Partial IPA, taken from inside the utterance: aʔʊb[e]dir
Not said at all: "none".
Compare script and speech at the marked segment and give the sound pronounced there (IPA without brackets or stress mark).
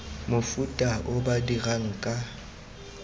a